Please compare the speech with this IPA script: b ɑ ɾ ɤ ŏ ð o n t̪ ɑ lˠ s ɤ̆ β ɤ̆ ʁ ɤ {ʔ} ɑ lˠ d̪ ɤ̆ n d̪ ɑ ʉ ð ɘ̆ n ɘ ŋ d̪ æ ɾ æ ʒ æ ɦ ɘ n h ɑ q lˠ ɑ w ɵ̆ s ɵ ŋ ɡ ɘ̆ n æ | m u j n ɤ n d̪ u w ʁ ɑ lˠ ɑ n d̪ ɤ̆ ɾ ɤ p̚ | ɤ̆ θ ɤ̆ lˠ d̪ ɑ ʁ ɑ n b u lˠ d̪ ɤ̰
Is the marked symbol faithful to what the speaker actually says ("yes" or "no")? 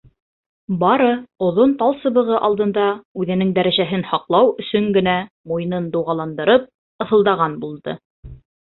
yes